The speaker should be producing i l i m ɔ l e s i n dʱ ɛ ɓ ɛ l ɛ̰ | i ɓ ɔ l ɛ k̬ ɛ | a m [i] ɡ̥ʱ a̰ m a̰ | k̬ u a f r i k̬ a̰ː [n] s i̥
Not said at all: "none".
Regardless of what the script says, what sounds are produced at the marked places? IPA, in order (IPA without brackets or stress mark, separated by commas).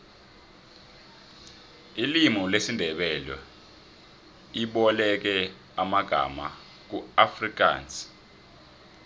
a, n